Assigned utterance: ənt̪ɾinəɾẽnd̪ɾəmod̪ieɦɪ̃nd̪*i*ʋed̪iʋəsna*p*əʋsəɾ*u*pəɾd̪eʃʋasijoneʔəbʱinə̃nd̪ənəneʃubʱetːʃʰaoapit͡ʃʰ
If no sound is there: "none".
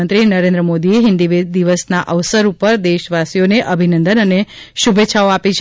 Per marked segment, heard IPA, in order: i, ʔ, u

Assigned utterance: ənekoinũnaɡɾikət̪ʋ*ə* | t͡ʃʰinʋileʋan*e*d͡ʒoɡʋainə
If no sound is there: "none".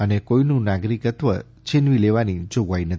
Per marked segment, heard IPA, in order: ə, i

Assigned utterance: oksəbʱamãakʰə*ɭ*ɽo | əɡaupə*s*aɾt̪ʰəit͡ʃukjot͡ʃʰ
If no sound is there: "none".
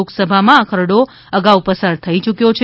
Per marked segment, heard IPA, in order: ɾ, s

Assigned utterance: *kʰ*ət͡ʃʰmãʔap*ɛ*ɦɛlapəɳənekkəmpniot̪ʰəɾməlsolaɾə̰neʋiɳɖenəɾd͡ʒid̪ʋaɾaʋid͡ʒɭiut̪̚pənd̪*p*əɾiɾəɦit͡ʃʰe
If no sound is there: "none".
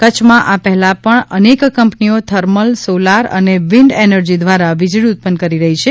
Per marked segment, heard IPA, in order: k, ɛ, k

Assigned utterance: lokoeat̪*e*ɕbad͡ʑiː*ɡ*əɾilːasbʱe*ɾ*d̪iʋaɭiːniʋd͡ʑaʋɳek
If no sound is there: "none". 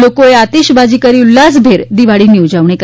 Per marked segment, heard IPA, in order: i, k, ɾ

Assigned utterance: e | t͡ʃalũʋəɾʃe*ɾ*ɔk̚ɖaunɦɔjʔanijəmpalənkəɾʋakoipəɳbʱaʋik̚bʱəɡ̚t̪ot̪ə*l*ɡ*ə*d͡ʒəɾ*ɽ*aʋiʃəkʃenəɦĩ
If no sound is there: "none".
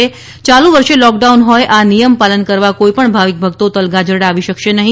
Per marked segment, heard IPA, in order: l, l, a, ɽ

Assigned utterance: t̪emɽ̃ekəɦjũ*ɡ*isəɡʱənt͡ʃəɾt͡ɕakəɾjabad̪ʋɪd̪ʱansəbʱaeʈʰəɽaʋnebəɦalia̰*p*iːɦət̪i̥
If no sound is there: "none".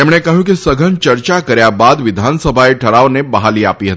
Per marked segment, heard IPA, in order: k, p

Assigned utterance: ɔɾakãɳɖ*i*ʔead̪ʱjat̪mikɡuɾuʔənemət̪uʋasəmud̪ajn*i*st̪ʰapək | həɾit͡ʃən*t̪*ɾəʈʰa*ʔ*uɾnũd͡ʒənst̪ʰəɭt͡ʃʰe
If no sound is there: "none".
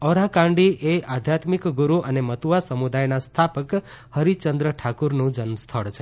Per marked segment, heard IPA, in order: i, a, d̪, k

